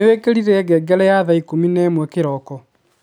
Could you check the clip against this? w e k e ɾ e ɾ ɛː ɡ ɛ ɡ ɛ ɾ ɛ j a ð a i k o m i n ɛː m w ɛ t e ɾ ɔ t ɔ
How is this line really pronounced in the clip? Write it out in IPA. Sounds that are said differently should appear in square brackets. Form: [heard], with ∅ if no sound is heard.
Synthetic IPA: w e k e ɾ [i] ɾ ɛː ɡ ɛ ɡ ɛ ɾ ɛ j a ð a i k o m i n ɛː m w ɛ [k] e ɾ ɔ [k] ɔ